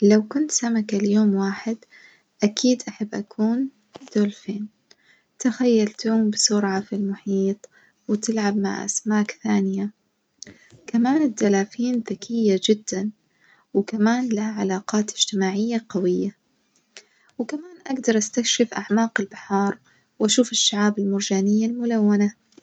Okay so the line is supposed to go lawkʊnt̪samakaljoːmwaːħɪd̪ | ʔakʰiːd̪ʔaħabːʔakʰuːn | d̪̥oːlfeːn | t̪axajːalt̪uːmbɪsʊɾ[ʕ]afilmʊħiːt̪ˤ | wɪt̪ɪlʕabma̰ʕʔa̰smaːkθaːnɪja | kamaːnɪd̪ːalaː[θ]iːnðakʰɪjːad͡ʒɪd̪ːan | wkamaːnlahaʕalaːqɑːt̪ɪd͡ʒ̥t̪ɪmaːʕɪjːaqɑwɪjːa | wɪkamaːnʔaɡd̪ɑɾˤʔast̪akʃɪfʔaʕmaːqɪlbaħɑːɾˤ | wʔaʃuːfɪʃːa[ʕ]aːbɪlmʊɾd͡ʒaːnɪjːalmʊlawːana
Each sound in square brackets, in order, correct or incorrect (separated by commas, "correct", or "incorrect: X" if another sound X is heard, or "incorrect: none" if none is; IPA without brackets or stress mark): correct, incorrect: f, correct